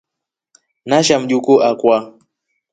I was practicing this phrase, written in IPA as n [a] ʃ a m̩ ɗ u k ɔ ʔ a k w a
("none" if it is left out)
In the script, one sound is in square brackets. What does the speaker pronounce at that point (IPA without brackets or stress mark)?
a